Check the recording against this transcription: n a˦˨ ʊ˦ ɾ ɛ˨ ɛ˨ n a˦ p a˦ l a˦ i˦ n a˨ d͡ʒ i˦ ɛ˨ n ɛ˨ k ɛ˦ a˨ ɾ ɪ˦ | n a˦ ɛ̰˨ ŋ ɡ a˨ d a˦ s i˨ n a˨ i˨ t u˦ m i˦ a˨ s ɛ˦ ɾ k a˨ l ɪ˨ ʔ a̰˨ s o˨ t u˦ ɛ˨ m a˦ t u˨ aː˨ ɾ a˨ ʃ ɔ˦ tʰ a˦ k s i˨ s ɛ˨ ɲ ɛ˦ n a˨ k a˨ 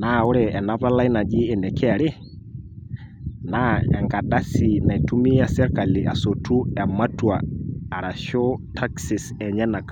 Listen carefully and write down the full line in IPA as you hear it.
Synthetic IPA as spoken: n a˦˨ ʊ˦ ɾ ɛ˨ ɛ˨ n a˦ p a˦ l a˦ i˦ n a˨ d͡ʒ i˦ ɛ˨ n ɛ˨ k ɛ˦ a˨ ɾ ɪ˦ | n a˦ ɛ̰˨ ŋ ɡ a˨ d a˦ s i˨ n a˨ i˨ t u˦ m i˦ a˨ s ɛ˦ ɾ k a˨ l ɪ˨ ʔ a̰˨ s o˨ t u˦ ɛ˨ m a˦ t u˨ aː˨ ɾ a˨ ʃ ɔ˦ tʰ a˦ k s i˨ s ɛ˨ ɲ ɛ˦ n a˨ k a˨